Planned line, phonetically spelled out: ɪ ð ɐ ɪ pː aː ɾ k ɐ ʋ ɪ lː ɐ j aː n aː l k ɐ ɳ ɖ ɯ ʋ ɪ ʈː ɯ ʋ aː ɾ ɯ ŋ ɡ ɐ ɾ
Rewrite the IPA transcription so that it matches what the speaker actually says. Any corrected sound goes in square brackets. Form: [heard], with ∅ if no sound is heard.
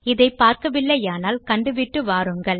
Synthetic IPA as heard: ɪ ð ɐ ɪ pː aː ɾ k ɐ ʋ ɪ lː ɐ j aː n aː l k ɐ ɳ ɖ ɯ ʋ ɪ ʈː ɯ ʋ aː ɾ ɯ ŋ ɡ ɐ [ɭ]